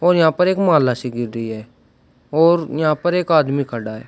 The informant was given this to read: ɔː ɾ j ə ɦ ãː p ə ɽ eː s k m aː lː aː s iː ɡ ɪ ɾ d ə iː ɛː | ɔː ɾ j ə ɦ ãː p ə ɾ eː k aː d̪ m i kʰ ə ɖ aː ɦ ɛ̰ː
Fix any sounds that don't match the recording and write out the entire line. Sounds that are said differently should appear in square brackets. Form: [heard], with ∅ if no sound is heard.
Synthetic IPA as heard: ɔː ɾ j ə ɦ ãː p ə [ɾ] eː [∅] k m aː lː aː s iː ɡ ɪ ɾ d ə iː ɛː | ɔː ɾ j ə ɦ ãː p ə ɾ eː k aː d̪ m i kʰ ə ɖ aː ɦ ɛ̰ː